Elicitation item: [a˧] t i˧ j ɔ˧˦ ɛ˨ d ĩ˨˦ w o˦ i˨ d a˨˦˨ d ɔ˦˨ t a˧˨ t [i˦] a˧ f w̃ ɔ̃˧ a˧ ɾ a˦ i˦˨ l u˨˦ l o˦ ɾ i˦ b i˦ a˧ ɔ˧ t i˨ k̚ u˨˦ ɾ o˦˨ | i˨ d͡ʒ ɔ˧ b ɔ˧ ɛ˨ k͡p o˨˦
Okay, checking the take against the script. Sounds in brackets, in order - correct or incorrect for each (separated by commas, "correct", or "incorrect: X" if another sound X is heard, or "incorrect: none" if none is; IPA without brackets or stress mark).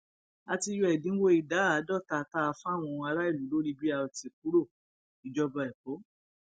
correct, incorrect: a˦